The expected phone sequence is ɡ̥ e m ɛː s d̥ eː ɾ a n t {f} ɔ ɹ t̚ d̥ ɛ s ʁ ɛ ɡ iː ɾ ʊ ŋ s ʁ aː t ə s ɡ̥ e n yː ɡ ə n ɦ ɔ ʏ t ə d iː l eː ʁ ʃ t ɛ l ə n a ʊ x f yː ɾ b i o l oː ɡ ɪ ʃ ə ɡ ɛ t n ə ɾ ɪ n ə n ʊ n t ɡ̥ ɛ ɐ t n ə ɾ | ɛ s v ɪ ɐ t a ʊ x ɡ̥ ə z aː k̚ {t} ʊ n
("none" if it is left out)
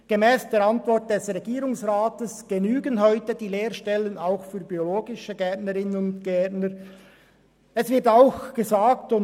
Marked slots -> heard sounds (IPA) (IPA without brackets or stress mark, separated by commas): v, t